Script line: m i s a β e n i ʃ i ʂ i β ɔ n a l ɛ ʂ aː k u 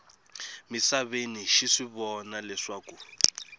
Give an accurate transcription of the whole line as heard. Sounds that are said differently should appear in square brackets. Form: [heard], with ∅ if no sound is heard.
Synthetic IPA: m i s a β e n i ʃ i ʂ i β ɔ n a l ɛ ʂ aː k u